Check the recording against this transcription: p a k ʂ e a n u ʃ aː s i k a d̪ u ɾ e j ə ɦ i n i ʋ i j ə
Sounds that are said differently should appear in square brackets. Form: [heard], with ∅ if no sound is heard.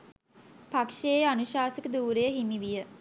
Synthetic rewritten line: p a k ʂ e a n u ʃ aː s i k [ə] d̪ [uː] ɾ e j ə ɦ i [m] i ʋ i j ə